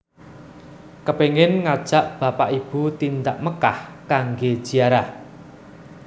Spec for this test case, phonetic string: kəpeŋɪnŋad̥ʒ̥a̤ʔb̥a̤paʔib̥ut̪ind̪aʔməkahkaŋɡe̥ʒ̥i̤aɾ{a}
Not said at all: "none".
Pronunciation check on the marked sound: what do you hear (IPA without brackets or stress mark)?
a